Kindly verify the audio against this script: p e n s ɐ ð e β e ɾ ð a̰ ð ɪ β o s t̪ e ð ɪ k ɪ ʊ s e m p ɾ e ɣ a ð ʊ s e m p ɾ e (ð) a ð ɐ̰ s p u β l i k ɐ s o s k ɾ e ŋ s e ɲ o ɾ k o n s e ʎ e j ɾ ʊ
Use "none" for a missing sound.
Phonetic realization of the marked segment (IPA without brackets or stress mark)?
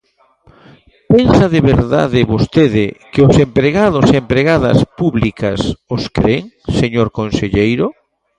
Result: ɣ